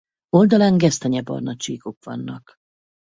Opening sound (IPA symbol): o̞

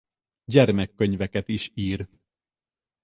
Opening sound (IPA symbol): ɟ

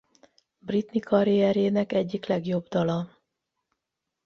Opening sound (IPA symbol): b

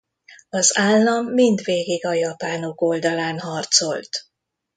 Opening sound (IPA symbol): ɒ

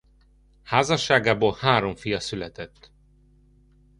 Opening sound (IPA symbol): h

